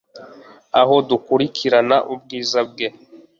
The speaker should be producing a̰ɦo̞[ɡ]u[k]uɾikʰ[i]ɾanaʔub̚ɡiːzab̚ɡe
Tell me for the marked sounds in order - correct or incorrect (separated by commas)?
incorrect, correct, correct